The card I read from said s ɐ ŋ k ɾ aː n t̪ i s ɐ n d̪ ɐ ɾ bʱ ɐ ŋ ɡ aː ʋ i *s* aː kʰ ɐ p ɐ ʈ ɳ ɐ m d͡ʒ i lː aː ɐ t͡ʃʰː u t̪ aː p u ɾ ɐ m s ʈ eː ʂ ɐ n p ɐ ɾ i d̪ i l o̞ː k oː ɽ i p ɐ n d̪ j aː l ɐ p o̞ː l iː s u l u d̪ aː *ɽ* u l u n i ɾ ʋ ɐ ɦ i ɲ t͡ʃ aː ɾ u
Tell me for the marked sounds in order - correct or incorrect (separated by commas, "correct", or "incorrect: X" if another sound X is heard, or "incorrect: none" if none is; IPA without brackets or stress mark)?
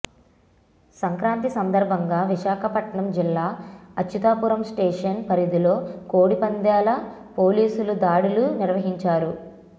incorrect: ʃ, correct